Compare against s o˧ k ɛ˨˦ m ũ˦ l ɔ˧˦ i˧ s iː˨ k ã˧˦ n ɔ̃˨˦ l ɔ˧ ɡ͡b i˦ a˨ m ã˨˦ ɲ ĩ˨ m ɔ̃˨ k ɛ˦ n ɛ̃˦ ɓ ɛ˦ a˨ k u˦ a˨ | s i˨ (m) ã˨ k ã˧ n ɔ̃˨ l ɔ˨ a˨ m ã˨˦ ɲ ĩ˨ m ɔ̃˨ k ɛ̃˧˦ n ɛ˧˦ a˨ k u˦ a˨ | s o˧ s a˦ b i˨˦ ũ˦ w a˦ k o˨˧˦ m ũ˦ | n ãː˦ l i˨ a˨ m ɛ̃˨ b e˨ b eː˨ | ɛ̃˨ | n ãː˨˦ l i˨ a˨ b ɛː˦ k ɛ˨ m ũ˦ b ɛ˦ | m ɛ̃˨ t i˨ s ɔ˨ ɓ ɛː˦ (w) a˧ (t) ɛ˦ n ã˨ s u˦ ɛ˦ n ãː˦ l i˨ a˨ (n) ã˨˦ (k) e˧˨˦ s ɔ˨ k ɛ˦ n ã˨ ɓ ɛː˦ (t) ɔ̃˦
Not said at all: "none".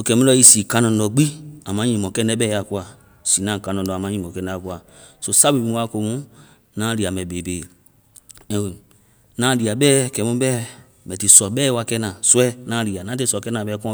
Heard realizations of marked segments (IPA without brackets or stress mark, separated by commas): n, w, k, n, t, k